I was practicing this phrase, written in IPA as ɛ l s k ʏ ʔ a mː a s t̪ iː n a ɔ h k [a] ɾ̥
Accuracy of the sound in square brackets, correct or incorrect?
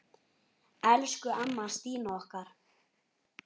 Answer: correct